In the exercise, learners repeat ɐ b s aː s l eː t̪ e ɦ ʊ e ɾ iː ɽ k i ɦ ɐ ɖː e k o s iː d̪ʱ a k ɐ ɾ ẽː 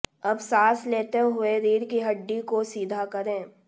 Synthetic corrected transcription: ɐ b s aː s l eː t̪ e ɦ ʊ e ɾ iː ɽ k i ɦ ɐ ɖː i k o s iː d̪ʱ a k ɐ ɾ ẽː